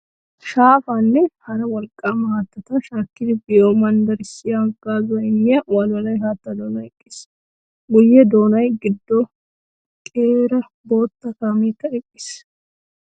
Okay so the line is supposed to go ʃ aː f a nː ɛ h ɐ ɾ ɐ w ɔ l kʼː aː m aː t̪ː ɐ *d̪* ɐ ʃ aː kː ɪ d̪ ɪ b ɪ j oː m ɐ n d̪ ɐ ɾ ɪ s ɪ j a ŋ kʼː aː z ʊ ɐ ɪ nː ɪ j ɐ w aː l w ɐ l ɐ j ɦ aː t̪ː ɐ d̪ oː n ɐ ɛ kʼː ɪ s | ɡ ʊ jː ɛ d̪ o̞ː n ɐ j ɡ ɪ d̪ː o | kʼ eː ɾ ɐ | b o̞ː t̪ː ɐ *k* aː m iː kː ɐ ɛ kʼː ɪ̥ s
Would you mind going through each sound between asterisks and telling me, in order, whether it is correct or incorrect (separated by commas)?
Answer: incorrect, correct